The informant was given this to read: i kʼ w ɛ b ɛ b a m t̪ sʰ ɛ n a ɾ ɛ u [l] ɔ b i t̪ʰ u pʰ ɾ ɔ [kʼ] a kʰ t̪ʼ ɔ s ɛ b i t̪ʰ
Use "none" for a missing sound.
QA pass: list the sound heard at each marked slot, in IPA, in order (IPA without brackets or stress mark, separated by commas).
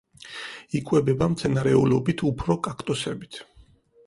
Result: l, kʼ